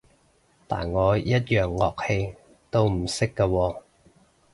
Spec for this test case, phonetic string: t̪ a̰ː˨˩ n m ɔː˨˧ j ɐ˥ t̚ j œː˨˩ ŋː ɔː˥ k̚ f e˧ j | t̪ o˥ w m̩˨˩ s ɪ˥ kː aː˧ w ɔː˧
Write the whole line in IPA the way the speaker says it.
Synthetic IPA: t̪ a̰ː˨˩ n ŋ ɔː˨˧ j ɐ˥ t̚ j œː˨˩ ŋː ɔː˨ k̚ h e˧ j | t̪ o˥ w m̩˨˩ s ɪ˥ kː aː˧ w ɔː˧